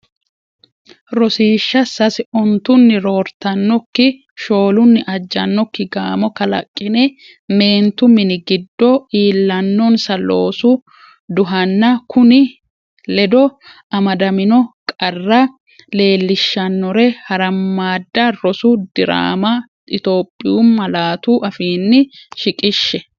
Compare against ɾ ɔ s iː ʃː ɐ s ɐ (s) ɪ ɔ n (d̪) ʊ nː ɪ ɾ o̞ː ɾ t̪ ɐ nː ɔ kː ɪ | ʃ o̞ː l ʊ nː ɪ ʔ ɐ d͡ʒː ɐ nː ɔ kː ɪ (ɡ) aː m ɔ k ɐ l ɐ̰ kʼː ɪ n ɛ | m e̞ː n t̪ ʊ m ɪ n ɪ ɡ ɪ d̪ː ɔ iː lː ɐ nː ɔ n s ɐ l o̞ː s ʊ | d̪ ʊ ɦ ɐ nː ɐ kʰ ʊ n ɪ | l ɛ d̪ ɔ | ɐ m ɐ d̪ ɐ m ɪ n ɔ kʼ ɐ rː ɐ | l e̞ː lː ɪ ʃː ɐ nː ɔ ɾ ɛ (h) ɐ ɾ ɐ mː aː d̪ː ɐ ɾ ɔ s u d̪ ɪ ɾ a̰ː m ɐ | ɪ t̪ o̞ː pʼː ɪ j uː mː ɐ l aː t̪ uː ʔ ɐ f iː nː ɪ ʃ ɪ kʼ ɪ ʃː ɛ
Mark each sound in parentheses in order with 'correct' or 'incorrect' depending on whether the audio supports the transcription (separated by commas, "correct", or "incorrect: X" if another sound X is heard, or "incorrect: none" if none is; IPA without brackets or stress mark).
correct, incorrect: t̪, correct, correct